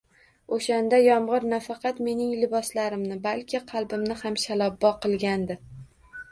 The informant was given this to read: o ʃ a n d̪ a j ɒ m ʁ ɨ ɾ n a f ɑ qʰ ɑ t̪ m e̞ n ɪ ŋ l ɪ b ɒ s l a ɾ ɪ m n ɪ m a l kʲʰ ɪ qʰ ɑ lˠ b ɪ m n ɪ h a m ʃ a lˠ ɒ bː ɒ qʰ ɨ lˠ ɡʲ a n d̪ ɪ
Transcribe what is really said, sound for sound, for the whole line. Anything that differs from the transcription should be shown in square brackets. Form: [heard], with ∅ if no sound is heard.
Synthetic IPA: o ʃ a n d̪ a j ɒ m ʁ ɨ ɾ n a f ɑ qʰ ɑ t̪ m e̞ n ɪ ŋ l ɪ b ɒ s l a ɾ ɪ m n ɪ [b] a l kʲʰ ɪ qʰ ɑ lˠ b ɪ m n ɪ h a m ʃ a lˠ ɒ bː ɒ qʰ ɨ lˠ ɡʲ a n d̪ ɪ

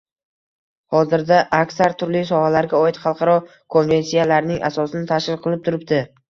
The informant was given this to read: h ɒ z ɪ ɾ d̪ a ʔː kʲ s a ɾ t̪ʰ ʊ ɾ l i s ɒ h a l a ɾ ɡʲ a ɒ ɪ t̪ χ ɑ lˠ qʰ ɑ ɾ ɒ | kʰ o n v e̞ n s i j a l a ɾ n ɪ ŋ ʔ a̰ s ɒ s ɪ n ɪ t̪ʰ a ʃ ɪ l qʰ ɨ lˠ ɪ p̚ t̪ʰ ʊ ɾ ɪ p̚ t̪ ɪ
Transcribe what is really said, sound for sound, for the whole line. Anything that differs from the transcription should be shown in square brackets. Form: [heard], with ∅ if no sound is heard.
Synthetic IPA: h ɒ z ɪ ɾ d̪ a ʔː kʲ s a ɾ t̪ʰ ʊ ɾ l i s ɒ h a l a ɾ ɡʲ a ɒ ɪ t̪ χ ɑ lˠ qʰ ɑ ɾ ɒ | kʰ o n v e̞ n s i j a l a ɾ n ɪ ŋ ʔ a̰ s ɒ s ɪ n ɪ t̪ʰ a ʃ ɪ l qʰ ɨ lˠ ɪ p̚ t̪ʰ ʊ ɾ ɪ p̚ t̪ ɪ

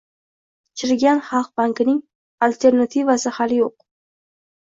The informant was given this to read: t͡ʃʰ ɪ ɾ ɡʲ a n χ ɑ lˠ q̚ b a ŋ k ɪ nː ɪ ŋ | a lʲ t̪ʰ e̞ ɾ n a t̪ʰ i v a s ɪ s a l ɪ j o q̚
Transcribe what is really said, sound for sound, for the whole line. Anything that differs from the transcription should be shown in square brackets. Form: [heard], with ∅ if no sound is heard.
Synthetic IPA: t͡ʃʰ ɪ ɾ ɡʲ a n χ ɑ lˠ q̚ b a ŋ k ɪ [n] ɪ ŋ | a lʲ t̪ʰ e̞ ɾ n a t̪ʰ i v a s ɪ [h] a l ɪ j o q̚

